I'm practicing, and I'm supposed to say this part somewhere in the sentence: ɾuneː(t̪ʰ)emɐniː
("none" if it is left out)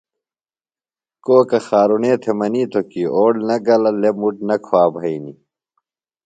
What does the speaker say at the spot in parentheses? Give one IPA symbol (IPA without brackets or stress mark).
t̪ʰ